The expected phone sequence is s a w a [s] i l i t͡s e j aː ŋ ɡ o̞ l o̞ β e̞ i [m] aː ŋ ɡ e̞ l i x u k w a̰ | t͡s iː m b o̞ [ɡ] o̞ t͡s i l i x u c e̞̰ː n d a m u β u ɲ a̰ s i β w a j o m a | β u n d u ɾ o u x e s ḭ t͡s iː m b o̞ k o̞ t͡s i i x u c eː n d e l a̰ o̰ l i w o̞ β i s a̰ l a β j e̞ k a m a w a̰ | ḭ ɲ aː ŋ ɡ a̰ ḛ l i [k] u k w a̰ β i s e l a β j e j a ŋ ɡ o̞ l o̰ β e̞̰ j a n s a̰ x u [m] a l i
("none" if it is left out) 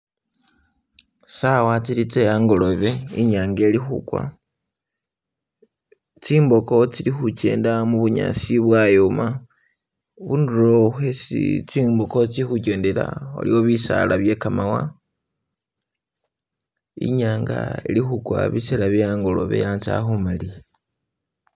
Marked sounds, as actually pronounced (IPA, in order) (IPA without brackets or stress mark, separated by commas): t͡s, ɲ, k, x, m